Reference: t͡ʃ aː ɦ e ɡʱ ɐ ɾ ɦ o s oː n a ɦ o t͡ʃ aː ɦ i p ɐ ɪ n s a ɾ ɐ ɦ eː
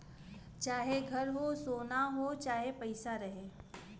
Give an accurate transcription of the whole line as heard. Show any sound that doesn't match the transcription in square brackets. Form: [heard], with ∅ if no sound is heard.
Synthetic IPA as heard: t͡ʃ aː ɦ e ɡʱ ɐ ɾ ɦ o s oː n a ɦ o t͡ʃ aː ɦ [e] p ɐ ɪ [∅] s a ɾ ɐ ɦ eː